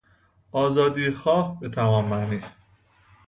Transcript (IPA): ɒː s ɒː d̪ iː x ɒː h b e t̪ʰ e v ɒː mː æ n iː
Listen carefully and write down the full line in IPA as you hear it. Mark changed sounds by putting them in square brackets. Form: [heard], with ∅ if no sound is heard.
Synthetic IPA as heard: ɒː [z] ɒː d̪ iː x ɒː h b e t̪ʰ [æ] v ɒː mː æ n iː